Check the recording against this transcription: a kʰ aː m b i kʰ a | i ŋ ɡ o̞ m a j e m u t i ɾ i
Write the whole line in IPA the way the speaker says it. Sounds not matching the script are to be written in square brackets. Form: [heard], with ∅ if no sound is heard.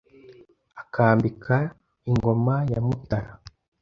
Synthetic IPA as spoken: a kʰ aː m b i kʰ a | i ŋ ɡ o̞ m a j [a] m u t [a] ɾ [a]